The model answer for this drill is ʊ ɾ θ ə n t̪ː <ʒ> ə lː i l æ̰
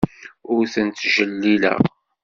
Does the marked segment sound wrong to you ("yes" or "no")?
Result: no